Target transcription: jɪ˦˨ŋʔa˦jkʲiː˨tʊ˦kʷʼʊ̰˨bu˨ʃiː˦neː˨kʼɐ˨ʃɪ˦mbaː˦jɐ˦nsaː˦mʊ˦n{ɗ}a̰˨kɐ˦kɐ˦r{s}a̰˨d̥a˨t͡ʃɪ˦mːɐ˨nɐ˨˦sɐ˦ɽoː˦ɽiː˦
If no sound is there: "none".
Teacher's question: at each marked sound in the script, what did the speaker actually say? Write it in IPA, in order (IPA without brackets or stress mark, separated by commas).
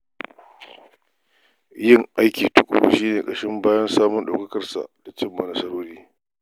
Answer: ɗ, s